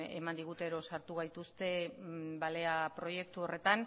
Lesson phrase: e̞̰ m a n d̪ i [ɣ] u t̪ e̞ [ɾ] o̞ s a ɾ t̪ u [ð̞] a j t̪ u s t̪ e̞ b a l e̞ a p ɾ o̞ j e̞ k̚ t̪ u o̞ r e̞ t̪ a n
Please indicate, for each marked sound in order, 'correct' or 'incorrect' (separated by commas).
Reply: correct, correct, incorrect